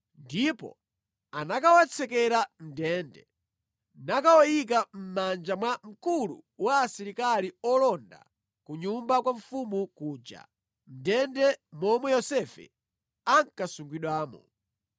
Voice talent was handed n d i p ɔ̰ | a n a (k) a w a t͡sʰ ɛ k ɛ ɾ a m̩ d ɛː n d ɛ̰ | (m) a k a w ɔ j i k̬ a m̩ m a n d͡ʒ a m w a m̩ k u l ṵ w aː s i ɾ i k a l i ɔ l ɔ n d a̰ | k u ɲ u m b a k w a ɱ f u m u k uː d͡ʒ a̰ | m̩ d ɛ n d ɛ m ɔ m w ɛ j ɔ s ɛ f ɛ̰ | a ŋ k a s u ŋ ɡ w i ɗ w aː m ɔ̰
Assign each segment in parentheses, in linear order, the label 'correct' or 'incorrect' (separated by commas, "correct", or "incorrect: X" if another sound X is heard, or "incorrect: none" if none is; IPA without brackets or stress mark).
correct, incorrect: n